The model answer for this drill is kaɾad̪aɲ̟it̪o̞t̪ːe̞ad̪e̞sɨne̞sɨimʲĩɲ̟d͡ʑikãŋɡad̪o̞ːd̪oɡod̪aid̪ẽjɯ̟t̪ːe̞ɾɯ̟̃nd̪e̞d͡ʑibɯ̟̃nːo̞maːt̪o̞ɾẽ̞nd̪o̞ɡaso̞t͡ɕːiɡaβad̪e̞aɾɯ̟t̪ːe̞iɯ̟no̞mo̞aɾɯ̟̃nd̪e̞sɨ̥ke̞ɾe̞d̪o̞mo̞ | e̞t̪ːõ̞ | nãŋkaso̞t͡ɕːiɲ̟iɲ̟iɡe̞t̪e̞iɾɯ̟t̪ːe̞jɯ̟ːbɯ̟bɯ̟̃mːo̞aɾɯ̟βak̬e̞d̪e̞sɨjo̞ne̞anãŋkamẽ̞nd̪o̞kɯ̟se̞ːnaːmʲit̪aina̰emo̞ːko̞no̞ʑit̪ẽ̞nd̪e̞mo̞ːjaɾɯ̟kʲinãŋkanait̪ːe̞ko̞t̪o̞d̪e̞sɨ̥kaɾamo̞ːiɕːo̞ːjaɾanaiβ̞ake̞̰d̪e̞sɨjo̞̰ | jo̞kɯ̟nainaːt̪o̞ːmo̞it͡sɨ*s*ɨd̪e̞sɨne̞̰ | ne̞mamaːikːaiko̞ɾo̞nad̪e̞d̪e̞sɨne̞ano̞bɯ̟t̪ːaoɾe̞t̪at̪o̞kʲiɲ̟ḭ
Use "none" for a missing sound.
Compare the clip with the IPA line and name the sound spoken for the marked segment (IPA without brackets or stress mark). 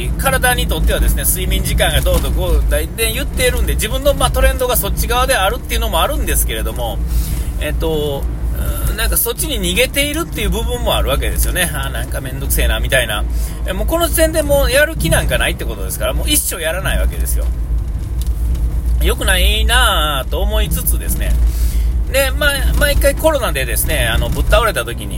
t͡s